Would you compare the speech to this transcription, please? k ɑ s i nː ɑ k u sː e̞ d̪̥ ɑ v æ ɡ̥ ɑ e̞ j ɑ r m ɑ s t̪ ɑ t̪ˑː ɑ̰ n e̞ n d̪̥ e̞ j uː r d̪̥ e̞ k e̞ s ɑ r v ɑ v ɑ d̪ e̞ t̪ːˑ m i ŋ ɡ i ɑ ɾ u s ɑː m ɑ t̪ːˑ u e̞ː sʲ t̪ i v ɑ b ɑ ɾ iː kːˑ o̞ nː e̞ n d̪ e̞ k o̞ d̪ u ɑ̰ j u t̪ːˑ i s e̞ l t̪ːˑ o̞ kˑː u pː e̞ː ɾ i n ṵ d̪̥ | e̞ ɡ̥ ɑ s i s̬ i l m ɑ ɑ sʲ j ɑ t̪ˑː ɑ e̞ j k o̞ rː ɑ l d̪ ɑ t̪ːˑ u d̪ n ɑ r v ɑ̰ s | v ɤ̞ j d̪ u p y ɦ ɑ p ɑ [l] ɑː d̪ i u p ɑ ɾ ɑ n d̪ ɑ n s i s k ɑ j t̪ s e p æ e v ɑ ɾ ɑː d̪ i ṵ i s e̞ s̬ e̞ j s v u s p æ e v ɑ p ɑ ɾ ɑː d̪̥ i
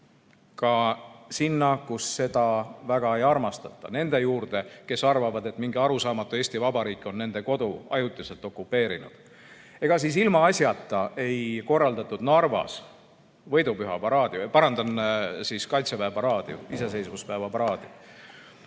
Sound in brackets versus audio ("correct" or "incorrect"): incorrect